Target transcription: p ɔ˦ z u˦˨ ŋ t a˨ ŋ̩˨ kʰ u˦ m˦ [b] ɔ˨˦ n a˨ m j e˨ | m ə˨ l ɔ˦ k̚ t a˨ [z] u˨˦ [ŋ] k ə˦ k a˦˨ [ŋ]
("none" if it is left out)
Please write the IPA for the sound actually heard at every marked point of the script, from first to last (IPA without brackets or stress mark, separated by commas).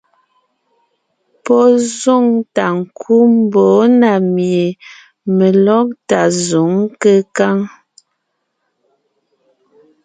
b, z, ŋ, ŋ